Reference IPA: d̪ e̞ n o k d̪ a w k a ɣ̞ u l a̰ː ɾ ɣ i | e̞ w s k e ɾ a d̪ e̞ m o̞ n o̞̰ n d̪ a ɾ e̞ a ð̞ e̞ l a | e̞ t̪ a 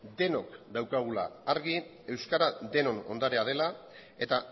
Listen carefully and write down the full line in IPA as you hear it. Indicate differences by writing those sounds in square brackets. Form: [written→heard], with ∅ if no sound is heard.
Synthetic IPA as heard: d̪ e̞ n o k d̪ a w k a ɣ̞ u l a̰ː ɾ ɣ i | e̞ w s k [e→a] ɾ a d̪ e̞ [m→n] o̞ n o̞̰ n d̪ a ɾ e̞ a ð̞ e̞ l a | e̞ t̪ a